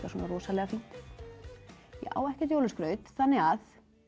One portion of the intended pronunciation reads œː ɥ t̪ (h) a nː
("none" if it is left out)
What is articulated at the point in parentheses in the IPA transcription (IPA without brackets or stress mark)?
θ